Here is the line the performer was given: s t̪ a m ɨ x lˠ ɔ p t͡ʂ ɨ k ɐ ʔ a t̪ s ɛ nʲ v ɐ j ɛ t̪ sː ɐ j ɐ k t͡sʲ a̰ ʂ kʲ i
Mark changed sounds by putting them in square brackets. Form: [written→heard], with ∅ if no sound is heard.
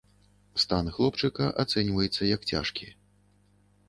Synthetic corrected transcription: s t̪ a [m→n] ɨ x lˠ ɔ p t͡ʂ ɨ k ɐ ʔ a t̪ s ɛ nʲ v ɐ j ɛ t̪ sː ɐ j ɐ k t͡sʲ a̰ ʂ kʲ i